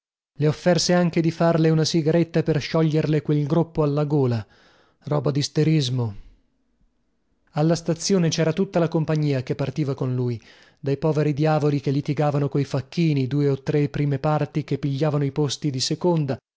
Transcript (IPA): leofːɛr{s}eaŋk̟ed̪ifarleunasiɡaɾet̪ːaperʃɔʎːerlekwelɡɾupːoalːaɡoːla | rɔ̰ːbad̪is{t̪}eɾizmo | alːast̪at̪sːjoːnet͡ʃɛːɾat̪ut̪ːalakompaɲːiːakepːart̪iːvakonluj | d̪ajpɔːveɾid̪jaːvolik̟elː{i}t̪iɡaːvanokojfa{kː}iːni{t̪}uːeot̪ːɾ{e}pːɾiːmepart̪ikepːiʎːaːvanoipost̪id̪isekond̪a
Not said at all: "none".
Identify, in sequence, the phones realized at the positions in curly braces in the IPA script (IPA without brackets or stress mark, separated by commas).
s, t̪, i, kː, d̪, e